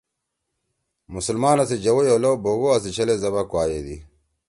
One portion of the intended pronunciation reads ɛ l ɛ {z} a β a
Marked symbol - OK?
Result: yes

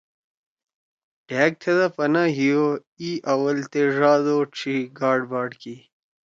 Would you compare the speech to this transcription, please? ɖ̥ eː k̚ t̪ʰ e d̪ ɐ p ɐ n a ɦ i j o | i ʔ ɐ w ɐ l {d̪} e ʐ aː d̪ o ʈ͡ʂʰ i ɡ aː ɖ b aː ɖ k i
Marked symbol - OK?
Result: no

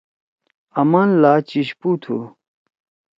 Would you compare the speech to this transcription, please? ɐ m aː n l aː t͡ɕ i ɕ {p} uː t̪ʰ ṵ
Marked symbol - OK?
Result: yes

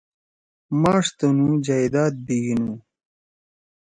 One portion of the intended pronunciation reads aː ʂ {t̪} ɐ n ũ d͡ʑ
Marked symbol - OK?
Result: yes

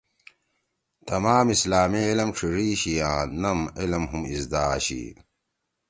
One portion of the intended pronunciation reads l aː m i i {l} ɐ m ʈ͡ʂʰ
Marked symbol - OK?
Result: yes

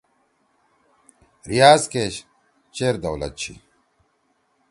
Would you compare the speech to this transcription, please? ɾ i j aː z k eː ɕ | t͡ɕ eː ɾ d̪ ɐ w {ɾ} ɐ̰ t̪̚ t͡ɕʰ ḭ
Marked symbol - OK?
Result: no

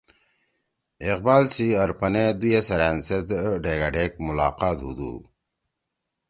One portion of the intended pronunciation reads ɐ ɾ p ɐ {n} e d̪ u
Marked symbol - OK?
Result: yes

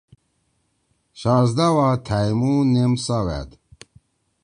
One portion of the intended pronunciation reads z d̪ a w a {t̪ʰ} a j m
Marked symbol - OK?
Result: yes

